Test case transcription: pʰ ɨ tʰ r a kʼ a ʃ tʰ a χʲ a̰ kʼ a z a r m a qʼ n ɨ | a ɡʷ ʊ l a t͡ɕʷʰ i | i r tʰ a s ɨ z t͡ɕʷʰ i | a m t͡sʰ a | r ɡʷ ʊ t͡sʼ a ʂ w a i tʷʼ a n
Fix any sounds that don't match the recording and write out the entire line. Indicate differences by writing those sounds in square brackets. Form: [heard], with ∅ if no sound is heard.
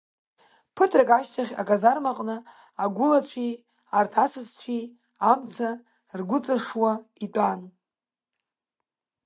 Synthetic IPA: pʰ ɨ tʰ r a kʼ a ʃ tʰ a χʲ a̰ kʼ a z a r m a qʼ n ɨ | a ɡʷ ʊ l a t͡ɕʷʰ i | [a] r tʰ a s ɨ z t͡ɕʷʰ i | a m t͡sʰ a | r ɡʷ ʊ t͡sʼ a ʂ w a i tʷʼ a n